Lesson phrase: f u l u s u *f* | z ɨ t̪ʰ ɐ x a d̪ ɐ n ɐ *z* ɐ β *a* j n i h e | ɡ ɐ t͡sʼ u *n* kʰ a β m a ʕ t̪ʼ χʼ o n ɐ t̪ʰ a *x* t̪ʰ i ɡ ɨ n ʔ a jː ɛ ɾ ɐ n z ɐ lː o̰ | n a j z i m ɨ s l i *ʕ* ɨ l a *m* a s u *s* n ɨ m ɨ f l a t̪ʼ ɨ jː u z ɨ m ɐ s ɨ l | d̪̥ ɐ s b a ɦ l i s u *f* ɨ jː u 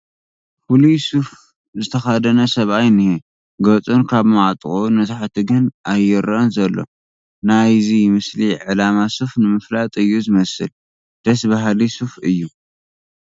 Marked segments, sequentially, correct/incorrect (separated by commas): correct, incorrect, correct, correct, incorrect, correct, correct, incorrect, correct